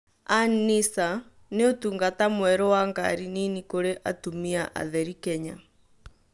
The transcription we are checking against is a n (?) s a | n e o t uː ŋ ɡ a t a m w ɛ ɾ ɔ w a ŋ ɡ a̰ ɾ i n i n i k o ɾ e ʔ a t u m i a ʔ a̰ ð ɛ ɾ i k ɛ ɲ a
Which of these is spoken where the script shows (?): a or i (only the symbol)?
i